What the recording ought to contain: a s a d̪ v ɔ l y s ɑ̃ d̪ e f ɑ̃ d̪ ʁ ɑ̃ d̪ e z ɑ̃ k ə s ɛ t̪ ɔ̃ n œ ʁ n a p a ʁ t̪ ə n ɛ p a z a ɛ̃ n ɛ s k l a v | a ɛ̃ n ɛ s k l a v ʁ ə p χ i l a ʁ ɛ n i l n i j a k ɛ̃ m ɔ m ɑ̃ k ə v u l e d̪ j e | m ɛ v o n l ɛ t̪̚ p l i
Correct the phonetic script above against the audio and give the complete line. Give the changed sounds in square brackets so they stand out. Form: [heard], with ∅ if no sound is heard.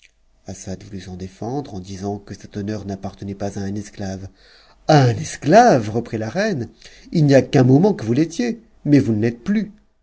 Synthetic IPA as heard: a s a d̪ v [u] l y s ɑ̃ d̪ e f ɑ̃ d̪ ʁ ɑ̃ d̪ [i] z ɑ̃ k ə s ɛ t̪ [ɔ] n œ ʁ n a p a ʁ t̪ ə n ɛ p a z a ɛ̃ n ɛ s k l a v | a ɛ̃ n ɛ s k l a v ʁ ə p χ i l a ʁ ɛ n i l n i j a k ɛ̃ m ɔ m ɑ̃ k ə v u l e [t̪] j e | m ɛ v [u] n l ɛ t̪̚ p l [y]